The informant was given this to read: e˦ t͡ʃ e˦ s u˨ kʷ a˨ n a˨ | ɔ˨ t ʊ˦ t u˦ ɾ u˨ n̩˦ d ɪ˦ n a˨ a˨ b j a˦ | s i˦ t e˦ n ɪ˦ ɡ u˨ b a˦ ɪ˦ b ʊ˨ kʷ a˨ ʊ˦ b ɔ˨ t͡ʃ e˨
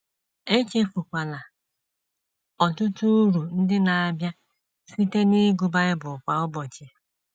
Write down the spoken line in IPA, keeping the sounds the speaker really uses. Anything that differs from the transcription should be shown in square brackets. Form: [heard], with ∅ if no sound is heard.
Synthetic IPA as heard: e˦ t͡ʃ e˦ [f] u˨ kʷ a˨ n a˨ | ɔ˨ t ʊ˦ t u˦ ɾ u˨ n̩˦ d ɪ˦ n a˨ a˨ b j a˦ | s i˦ t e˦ n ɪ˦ ɡ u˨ b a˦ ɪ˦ b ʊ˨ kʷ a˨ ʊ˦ b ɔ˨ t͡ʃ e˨